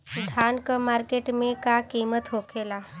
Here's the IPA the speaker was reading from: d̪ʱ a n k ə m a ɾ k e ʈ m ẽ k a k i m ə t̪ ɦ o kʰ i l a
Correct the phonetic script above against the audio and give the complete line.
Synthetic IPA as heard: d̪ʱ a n k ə m a ɾ k e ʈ m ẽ k a k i m ə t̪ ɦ o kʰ e l a